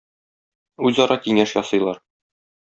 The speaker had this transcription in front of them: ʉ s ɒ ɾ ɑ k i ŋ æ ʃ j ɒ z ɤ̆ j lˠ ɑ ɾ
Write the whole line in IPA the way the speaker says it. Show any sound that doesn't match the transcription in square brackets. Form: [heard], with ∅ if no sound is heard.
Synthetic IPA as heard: ʉ [z] ɒ ɾ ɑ k i ŋ æ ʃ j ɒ [s] ɤ̆ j lˠ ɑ ɾ